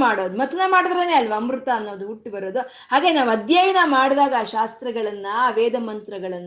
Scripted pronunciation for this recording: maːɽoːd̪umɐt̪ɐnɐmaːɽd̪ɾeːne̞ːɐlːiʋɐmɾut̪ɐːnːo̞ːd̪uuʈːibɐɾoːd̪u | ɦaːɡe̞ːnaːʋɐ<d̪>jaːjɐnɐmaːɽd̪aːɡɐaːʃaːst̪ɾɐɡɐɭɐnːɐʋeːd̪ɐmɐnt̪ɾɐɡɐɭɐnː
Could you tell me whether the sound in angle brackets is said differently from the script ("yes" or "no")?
no